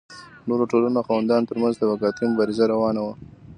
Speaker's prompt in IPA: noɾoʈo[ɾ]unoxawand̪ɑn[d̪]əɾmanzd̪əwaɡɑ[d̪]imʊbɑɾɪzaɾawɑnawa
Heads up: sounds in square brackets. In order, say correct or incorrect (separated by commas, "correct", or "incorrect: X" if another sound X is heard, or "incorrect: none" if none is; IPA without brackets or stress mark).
incorrect: l, incorrect: t̪, incorrect: t̪